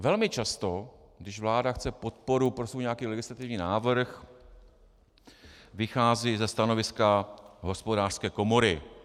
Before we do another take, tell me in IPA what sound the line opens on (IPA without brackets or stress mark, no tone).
v